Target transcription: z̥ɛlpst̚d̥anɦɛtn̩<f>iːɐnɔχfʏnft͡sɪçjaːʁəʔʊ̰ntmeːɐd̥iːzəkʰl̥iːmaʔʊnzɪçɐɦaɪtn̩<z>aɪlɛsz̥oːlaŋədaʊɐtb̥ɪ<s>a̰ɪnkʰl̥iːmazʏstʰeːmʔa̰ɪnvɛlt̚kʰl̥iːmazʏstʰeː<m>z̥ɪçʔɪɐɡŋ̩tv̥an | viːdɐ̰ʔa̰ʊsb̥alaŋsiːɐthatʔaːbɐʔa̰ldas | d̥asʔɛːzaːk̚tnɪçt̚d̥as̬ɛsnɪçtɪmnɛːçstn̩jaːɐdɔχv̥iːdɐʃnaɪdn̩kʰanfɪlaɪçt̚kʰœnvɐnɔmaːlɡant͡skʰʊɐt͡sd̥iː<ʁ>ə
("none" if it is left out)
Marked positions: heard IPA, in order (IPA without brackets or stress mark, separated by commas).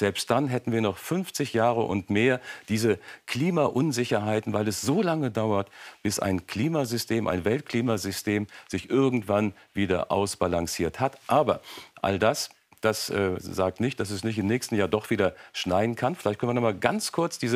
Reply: v, v, s, m, z